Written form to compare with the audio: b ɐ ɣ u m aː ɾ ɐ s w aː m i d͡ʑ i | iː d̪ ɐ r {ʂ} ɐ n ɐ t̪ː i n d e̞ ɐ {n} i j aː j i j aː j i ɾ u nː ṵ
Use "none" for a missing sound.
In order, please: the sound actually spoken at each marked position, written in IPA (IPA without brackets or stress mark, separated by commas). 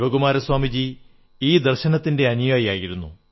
ɕ, n